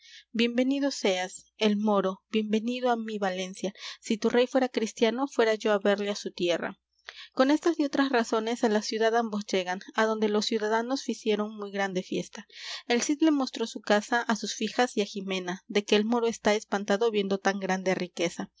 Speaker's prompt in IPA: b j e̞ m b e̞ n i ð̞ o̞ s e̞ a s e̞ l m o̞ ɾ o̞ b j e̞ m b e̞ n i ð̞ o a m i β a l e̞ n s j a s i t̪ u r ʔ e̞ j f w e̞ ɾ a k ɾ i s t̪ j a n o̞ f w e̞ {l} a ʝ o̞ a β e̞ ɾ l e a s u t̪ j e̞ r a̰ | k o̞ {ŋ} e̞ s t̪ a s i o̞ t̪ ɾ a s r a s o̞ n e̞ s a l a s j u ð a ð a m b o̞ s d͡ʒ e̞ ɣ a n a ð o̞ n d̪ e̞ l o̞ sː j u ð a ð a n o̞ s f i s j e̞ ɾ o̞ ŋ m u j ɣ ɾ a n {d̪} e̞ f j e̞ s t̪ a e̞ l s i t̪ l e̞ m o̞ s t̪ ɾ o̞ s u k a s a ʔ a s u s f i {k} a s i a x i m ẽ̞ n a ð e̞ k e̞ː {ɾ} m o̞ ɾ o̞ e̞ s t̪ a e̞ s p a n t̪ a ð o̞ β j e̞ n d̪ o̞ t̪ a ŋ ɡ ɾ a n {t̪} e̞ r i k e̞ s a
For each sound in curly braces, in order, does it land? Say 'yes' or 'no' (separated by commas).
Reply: no, no, yes, no, no, no